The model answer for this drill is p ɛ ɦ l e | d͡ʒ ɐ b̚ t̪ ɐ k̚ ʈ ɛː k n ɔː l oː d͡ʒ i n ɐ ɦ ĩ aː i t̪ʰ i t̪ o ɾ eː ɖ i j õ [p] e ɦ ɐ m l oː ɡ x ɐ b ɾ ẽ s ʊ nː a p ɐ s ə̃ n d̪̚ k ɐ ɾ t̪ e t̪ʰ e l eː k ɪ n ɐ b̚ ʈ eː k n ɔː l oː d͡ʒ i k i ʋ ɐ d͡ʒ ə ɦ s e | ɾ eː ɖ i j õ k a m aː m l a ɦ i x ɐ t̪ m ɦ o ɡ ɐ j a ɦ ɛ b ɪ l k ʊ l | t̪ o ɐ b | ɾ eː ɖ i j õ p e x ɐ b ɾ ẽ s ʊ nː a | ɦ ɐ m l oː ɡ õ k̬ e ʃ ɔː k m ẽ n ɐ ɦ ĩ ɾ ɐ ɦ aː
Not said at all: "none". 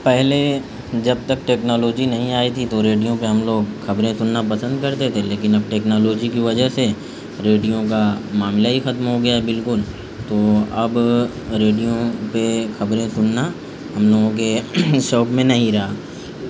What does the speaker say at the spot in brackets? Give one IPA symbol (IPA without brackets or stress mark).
p